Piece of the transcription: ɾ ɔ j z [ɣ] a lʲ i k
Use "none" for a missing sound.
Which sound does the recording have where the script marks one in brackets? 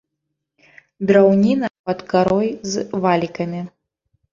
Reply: v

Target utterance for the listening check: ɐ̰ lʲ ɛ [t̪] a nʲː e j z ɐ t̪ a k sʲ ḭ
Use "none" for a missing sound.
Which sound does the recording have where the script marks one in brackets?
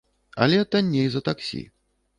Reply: t̪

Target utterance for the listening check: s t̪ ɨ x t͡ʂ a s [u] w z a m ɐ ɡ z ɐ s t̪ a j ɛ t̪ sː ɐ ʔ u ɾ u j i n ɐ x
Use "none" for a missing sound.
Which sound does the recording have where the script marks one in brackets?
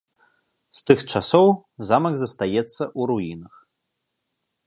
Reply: ɔ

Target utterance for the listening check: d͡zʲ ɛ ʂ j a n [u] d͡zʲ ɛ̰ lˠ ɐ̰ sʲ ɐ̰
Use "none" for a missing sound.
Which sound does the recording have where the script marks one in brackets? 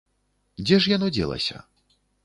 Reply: ɔ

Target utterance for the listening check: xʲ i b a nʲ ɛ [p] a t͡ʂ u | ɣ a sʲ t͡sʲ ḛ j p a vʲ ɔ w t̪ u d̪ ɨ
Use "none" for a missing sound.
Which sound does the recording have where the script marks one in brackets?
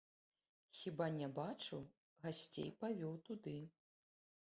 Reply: b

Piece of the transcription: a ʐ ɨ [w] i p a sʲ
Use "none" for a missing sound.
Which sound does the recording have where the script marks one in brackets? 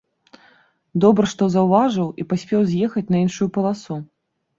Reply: w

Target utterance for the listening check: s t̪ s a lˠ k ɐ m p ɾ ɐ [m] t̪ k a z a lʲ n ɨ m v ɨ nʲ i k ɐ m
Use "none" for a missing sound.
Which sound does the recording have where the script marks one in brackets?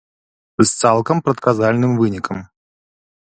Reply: none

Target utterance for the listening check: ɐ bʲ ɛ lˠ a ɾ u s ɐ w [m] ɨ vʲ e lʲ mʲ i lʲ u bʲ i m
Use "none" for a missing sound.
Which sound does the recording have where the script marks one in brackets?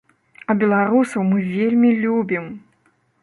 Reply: m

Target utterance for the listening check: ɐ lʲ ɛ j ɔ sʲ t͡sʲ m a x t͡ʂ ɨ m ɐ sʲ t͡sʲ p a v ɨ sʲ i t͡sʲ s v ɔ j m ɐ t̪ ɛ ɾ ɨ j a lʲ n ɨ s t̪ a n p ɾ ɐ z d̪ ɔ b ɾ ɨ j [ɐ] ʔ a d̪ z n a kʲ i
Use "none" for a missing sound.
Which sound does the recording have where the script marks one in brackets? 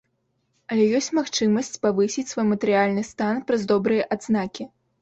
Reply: ɐ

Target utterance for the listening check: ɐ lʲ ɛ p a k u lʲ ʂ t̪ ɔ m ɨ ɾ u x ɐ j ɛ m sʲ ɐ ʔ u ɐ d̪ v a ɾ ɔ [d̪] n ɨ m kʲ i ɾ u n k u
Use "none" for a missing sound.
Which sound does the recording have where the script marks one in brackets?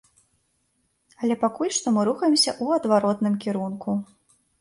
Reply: t̪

